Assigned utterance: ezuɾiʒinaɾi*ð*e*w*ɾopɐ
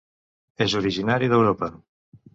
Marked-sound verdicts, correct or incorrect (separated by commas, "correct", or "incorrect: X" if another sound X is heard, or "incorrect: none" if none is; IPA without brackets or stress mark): correct, correct